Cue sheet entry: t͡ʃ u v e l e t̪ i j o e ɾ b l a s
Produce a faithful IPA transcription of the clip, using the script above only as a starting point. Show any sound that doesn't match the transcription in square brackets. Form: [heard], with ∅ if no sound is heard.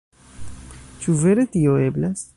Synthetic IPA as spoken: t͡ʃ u v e [ɾ] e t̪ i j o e [∅] b l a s